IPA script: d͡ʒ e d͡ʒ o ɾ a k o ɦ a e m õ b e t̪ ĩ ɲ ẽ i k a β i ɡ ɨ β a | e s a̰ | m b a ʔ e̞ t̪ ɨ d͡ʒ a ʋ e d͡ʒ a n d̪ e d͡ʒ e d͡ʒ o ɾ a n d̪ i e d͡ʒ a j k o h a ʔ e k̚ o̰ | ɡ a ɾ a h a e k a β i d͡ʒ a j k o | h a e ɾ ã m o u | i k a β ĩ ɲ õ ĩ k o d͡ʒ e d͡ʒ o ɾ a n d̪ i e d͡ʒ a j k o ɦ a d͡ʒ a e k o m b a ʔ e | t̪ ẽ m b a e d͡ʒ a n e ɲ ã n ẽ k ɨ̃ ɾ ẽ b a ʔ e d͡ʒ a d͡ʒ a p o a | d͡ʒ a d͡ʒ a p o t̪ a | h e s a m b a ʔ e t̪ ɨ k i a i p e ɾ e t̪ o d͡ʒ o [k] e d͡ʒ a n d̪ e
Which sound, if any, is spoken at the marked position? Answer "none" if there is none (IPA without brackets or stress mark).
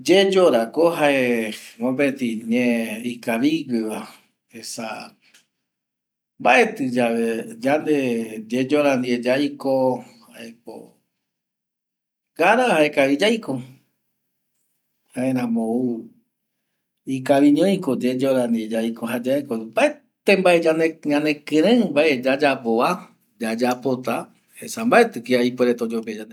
p